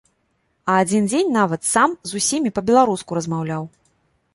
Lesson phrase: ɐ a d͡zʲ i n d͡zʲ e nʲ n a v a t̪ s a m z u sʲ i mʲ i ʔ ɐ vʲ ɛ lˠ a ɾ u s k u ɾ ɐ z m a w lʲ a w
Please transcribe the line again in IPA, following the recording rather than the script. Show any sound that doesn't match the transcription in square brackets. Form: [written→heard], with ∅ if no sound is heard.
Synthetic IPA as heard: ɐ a d͡zʲ i n d͡zʲ e nʲ n a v [a→ɐ] t̪ s a m z u sʲ i mʲ i [ʔ→p] ɐ [vʲ→bʲ] ɛ lˠ a ɾ u s k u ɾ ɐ z m a w lʲ a w